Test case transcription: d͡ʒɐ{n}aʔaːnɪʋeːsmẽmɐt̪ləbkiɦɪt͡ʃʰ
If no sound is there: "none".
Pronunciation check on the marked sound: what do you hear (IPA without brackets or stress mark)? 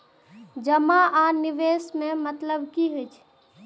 m